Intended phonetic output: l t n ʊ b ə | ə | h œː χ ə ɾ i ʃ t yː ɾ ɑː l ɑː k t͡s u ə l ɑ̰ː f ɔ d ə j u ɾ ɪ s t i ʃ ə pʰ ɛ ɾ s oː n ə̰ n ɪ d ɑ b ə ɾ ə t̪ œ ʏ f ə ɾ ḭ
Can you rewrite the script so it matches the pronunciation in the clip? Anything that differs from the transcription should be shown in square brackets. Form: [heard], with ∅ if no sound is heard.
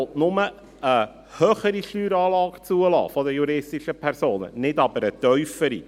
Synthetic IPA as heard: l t n ʊ [m] ə | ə | h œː χ ə ɾ i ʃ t yː ɾ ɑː l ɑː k t͡s u ə l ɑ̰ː f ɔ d ə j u ɾ ɪ s t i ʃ ə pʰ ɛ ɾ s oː n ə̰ n ɪ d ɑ b ə ɾ ə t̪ œ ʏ f ə ɾ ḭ